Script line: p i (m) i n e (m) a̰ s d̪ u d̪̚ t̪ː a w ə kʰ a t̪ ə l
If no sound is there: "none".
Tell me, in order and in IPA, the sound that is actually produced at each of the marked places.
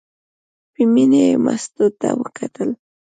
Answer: m, m

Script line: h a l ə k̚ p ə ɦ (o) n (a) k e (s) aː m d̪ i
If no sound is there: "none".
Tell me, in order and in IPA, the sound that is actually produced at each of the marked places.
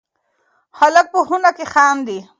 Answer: u, a, x

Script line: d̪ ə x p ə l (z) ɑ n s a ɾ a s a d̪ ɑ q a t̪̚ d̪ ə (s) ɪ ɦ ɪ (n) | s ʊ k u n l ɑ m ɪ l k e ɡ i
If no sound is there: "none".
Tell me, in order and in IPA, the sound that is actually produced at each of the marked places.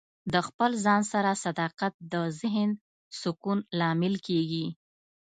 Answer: z, z, n

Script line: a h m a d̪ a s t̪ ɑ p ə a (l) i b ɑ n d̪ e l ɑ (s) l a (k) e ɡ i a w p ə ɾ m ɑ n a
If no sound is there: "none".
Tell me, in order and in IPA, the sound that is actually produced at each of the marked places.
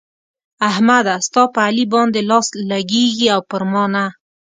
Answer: l, s, ɡ

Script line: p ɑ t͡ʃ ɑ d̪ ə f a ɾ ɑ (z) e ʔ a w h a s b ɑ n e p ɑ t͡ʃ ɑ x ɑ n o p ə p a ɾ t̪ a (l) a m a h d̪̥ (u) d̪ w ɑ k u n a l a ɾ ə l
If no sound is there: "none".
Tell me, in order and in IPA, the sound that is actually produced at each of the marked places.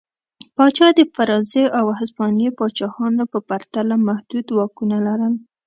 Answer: z, l, u

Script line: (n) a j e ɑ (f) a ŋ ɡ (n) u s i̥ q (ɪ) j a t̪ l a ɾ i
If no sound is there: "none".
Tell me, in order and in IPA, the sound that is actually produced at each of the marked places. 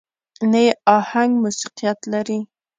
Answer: n, h, m, i

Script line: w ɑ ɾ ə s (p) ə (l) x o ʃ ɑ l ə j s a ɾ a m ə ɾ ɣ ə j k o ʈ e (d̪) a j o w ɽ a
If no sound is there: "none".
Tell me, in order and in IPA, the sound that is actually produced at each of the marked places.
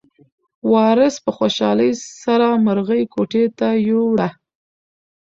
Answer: p, none, t̪

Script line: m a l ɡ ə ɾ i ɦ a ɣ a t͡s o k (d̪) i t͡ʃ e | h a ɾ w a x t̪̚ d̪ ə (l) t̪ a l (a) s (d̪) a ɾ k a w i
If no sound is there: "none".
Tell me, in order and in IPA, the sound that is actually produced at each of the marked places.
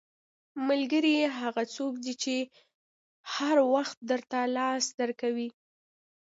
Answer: d̪, ɾ, ɑ, d̪

